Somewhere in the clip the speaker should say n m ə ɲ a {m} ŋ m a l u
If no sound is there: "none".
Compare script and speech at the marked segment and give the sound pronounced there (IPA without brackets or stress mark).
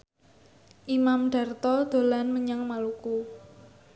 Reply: none